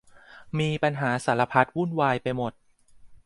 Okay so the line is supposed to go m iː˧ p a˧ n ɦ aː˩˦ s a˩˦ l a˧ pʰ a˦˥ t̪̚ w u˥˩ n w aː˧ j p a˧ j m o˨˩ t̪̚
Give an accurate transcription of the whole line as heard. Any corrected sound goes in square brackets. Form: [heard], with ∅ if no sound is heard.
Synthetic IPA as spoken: m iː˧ p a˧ n ɦ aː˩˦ s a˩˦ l a˧ pʰ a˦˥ t̪̚ w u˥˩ n w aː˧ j p a˧ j m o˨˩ t̪̚